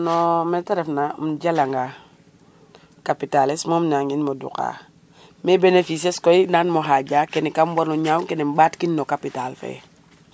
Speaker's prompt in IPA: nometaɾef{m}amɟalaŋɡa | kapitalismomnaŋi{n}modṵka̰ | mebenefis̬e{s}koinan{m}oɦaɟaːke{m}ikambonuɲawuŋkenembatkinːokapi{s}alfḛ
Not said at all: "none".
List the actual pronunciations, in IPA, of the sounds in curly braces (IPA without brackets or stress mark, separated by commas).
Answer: n, n, s, m, n, t